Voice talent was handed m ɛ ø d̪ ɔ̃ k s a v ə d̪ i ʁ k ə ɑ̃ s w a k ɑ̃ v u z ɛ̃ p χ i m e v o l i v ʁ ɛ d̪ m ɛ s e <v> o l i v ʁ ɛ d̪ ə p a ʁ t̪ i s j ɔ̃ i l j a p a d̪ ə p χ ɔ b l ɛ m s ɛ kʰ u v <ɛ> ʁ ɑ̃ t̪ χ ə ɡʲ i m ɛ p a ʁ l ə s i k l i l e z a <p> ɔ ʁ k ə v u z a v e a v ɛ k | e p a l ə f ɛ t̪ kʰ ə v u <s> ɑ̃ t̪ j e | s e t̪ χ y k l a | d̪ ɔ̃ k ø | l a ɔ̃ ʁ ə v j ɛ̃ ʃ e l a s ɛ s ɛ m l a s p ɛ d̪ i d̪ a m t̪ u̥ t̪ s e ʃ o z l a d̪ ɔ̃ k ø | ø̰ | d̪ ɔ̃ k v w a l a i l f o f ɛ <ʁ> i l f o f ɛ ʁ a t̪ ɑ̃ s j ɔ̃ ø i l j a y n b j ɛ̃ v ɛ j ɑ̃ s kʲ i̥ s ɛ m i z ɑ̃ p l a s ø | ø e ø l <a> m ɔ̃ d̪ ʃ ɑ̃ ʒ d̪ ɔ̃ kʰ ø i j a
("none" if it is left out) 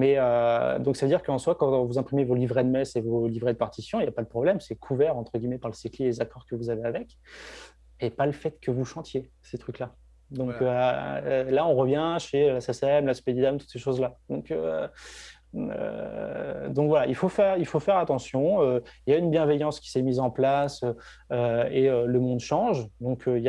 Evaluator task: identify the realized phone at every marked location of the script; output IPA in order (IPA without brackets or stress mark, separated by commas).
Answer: v, ɛ, k, ʃ, ʁ, ə